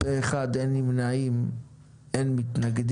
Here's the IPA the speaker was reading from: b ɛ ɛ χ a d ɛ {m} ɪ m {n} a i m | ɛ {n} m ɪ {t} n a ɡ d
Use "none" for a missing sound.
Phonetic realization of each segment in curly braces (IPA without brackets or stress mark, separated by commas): n, n, n, t